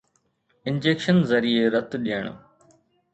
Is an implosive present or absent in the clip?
present